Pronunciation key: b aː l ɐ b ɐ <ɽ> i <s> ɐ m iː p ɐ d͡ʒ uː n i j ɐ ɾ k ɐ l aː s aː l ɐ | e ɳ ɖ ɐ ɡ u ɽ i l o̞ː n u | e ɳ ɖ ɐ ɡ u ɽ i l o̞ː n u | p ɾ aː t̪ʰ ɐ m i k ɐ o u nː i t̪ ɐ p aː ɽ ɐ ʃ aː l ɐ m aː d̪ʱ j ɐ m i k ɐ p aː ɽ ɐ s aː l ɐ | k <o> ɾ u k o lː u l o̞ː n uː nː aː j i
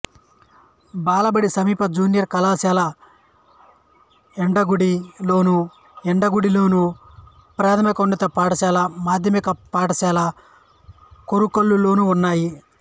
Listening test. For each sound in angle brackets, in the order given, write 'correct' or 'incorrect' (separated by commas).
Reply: correct, correct, correct